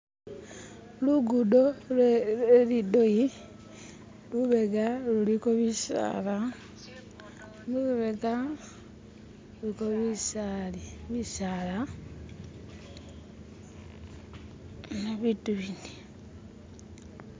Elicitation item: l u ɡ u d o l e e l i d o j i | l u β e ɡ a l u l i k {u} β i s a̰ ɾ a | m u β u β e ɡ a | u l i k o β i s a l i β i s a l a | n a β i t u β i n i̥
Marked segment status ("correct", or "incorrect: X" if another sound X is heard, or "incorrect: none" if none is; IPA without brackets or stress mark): incorrect: o